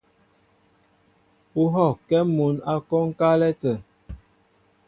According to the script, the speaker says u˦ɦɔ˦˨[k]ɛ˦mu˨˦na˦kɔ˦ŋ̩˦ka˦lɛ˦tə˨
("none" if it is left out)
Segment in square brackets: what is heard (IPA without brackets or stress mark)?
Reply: k